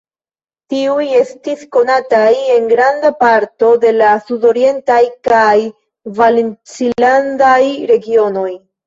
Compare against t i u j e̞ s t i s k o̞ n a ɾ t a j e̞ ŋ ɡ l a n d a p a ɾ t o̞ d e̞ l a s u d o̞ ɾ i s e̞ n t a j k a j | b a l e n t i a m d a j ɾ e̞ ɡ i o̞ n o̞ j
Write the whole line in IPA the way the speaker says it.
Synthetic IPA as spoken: t i u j e̞ s t i s k o̞ n a t a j e̞ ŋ ɡ ɾ a n d a p a ɾ t o̞ d e̞ l a s u d o̞ ɾ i e̞ n t a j k a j | v a l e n t͡s i a n d a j ɾ e̞ ɡ i o̞ n o̞ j